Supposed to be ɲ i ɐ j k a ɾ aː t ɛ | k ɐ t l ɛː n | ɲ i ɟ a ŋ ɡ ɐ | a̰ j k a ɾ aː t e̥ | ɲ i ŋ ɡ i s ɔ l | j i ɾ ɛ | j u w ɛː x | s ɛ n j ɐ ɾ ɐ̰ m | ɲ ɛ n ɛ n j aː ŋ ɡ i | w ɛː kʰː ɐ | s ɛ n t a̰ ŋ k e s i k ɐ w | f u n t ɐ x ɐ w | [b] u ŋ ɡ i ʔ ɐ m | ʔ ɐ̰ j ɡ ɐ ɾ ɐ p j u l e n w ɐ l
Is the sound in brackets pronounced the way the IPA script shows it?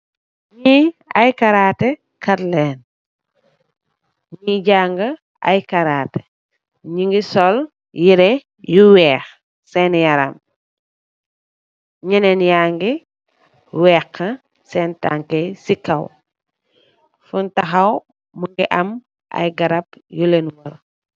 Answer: no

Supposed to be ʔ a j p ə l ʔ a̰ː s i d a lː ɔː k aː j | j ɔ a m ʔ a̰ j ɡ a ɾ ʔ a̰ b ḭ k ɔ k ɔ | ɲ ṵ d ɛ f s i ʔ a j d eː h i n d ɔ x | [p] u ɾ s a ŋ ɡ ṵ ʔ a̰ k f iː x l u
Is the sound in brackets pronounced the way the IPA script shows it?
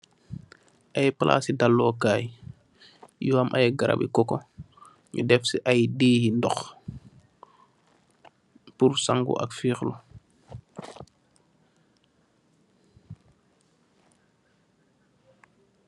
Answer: yes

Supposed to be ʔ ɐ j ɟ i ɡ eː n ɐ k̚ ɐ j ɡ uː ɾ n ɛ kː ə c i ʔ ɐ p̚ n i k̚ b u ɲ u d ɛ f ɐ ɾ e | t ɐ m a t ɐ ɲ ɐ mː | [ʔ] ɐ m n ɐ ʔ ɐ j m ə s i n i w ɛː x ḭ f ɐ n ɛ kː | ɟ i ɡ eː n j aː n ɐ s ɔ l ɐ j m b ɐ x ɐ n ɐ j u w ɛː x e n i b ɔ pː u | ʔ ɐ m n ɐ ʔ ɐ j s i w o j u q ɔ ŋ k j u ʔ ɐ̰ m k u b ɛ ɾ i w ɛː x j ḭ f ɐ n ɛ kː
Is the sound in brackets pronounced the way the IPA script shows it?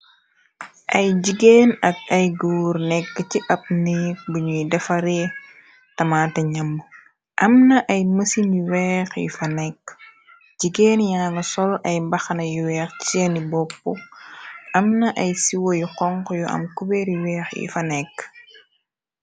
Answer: yes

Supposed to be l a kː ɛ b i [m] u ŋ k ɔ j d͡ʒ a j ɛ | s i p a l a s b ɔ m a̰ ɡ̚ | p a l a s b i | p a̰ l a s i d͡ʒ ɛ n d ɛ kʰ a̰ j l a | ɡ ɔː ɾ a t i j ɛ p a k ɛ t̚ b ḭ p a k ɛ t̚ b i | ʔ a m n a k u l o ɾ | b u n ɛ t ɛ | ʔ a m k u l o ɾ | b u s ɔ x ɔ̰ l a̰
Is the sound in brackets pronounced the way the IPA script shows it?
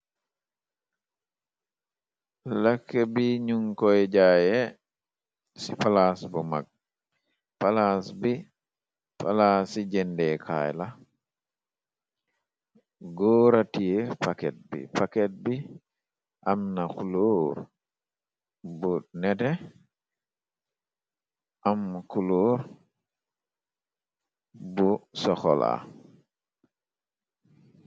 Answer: no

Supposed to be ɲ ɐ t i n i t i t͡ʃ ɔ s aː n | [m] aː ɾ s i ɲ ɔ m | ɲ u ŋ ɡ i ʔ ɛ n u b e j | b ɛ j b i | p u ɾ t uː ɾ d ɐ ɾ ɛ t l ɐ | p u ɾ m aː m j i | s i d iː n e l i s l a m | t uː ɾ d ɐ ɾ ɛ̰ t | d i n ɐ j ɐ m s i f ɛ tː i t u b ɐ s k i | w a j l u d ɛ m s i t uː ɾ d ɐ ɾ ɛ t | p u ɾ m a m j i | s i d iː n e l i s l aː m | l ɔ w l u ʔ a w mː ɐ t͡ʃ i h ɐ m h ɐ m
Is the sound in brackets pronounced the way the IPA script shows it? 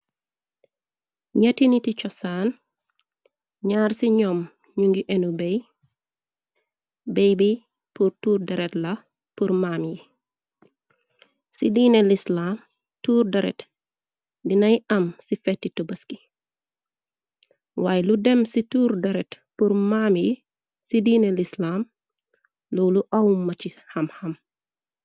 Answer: no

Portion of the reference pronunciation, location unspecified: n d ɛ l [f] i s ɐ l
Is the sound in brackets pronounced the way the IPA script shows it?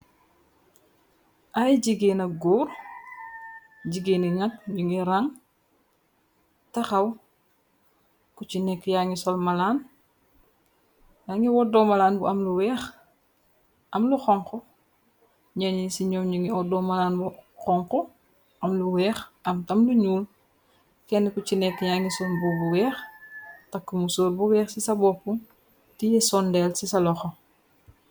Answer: no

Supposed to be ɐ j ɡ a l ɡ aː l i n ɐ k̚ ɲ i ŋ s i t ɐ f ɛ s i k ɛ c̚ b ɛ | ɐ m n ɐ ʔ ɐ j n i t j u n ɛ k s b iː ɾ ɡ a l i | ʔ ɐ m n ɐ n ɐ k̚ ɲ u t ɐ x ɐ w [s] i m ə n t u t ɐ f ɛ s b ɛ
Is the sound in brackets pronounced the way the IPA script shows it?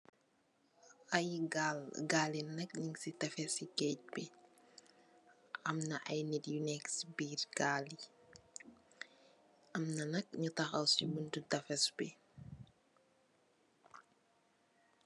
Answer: yes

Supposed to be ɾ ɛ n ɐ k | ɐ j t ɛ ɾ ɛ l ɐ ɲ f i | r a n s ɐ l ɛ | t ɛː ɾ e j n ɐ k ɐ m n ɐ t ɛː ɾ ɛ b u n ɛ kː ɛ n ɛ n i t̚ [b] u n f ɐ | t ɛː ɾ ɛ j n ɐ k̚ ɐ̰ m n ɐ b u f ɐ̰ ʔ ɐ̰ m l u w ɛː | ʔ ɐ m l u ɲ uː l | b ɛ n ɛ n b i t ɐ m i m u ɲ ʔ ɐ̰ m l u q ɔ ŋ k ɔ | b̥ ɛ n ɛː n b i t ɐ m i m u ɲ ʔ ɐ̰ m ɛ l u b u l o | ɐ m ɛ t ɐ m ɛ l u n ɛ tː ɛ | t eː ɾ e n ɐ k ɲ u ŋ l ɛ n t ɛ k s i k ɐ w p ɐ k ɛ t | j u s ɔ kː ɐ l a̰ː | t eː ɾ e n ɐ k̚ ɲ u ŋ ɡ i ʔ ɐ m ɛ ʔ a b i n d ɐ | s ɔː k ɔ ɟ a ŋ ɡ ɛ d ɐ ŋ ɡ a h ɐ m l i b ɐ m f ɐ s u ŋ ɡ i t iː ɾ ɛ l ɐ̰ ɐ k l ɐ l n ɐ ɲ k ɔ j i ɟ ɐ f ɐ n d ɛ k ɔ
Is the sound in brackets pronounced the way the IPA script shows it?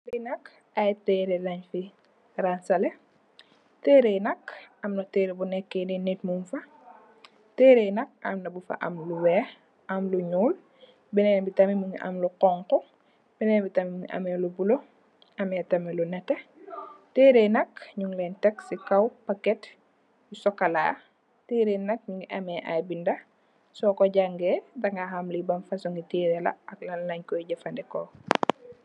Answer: no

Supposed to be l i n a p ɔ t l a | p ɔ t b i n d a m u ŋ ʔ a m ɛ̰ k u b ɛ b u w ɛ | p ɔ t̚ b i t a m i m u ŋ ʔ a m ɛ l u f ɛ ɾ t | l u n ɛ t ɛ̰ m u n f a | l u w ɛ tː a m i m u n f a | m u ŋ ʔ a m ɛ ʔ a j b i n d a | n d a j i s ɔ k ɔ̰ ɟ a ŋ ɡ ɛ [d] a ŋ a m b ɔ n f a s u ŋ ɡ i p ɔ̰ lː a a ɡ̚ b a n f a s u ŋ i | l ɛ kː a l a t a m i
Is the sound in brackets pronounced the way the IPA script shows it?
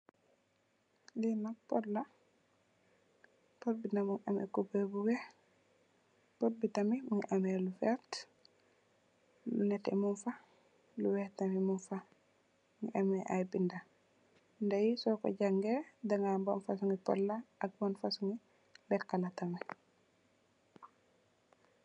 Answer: yes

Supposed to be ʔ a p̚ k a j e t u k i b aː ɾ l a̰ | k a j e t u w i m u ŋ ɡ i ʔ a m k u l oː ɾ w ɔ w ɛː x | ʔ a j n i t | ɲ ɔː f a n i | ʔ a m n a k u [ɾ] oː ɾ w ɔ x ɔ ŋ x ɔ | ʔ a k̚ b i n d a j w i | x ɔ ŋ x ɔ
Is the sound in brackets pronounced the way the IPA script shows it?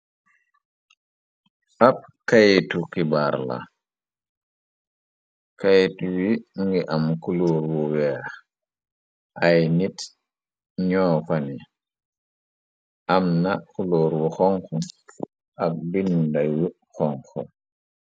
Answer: no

